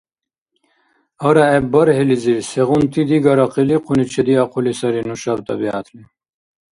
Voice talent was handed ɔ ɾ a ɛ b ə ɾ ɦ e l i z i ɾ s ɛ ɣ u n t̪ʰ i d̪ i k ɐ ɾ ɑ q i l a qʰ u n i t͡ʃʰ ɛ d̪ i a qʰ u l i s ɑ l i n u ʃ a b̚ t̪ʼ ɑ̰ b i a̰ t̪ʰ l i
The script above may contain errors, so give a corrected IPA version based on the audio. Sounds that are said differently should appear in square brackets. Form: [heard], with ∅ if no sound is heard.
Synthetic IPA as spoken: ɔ ɾ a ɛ b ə ɾ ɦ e l i z i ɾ s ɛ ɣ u n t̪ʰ i d̪ i [ɡ] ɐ ɾ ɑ q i l [i] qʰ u n i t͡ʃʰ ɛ d̪ i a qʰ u l i s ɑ [ɾ] i n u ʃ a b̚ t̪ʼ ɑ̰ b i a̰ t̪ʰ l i